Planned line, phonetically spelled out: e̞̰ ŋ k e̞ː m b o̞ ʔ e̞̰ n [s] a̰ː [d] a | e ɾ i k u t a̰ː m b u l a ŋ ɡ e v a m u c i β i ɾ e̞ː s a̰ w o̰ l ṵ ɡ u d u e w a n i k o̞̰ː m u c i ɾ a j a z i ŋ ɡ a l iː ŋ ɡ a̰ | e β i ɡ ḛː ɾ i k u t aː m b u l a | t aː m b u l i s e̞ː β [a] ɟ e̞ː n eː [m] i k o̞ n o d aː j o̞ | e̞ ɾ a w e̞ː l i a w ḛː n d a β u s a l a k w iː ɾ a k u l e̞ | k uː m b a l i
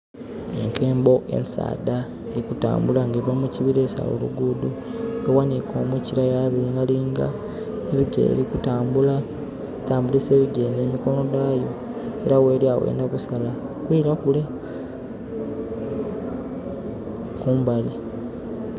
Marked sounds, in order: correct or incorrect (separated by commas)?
correct, correct, incorrect, correct